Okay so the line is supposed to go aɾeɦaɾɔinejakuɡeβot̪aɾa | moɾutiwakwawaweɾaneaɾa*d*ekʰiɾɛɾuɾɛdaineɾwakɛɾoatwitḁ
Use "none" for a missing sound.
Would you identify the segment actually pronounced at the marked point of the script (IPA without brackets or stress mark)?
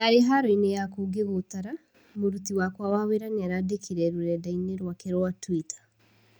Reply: d